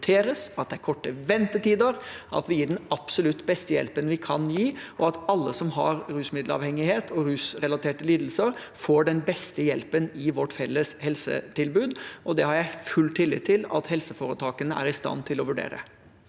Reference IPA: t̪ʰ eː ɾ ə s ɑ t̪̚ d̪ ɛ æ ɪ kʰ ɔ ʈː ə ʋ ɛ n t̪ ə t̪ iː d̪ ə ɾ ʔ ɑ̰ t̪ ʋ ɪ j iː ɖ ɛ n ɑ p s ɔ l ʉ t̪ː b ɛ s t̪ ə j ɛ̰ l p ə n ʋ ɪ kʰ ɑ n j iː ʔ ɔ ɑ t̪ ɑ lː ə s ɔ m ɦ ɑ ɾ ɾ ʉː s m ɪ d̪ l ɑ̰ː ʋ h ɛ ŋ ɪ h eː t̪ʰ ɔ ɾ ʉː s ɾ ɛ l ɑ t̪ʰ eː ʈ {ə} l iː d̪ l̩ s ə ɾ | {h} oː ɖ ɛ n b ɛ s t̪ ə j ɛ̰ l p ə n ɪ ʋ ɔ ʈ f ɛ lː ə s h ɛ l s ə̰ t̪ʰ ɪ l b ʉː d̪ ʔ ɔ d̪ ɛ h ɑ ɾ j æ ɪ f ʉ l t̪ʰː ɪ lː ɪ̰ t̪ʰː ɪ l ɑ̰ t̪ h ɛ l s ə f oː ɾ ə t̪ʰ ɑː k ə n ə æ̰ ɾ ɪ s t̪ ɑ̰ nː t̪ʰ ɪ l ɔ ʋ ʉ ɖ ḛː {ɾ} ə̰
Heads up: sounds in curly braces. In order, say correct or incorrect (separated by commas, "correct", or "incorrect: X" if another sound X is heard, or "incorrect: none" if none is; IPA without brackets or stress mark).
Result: correct, incorrect: f, correct